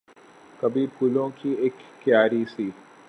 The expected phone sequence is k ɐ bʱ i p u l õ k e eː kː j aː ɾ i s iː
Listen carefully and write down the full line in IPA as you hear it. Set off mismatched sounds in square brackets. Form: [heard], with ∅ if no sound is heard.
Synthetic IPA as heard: k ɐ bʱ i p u l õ k [i] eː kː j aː ɾ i s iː